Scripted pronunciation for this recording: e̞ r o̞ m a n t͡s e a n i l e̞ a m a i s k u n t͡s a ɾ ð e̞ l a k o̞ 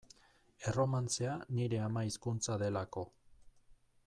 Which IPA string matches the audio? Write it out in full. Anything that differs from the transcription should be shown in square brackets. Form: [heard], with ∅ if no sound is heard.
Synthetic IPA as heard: e̞ r o̞ m a n t͡s e a n i [ɾ] e̞ a m a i s k u n t͡s a [∅] ð e̞ l a k o̞